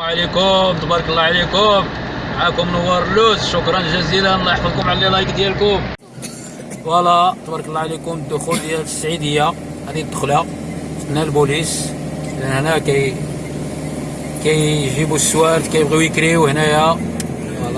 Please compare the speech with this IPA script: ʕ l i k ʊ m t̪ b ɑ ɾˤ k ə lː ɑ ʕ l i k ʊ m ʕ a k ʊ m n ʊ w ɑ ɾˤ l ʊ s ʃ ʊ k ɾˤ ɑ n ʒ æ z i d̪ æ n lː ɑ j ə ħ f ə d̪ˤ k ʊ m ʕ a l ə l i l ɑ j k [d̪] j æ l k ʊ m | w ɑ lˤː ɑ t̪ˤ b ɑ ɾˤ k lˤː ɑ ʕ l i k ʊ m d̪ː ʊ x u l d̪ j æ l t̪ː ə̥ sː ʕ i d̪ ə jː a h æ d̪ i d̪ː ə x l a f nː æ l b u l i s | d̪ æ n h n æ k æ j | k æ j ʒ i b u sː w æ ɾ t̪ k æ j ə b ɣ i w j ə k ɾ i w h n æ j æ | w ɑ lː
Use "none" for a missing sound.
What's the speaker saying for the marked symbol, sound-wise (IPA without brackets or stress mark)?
d̪